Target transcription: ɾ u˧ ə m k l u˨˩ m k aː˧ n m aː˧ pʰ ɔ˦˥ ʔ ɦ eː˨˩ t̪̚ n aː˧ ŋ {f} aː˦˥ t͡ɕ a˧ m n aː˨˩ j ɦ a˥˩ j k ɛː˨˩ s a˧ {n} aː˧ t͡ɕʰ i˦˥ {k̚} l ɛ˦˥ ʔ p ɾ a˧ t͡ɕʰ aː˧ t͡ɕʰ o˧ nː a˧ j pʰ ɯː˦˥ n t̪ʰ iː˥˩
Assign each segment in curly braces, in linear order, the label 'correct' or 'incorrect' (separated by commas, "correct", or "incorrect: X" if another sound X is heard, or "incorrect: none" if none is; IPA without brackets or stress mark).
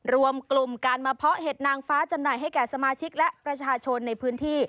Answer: correct, incorrect: m, correct